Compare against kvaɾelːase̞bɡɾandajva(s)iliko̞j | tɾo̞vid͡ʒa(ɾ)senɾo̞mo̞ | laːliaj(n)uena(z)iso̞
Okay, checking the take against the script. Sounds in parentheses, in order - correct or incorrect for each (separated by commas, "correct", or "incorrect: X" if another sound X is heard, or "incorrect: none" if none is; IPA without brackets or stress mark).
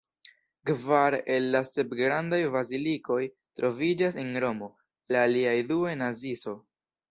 incorrect: z, incorrect: none, incorrect: d, correct